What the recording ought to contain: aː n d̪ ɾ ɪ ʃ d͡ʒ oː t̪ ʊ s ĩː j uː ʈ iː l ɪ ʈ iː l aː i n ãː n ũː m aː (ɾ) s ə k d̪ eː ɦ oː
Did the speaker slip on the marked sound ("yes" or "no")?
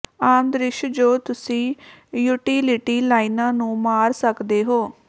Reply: no